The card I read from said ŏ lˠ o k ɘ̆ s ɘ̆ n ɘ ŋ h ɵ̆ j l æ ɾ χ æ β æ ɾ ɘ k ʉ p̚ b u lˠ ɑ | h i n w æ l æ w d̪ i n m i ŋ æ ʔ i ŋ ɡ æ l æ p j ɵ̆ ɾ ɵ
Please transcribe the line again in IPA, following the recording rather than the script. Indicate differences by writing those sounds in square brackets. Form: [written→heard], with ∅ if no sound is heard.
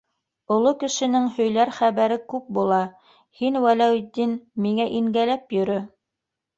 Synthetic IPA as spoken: ŏ lˠ o k ɘ̆ [s→ʃ] ɘ̆ n ɘ ŋ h ɵ̆ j l æ ɾ χ æ β æ ɾ ɘ k ʉ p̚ b u lˠ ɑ | h i n w æ l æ w d̪ i n m i ŋ æ ʔ i ŋ ɡ æ l æ p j ɵ̆ ɾ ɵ